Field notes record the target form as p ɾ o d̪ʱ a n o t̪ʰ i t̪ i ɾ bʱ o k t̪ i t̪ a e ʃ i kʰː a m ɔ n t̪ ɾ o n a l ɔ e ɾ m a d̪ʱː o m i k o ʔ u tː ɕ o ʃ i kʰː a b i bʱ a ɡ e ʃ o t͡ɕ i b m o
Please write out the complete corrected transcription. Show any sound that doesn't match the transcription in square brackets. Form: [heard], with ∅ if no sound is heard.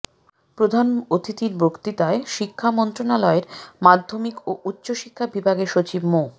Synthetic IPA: p ɾ o d̪ʱ a n o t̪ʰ i t̪ i ɾ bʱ o k t̪ i t̪ a e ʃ i kʰː a m ɔ n t̪ ɾ o n a l ɔ e ɾ m a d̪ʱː o m i k o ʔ u tː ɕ o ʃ i kʰː a b i bʱ a ɡ e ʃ o t͡ɕ i b m o